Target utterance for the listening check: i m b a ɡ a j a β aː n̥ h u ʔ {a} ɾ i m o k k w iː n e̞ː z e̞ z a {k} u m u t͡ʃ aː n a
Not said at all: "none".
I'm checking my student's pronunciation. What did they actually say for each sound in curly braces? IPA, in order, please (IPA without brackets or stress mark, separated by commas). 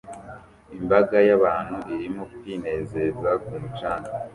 i, k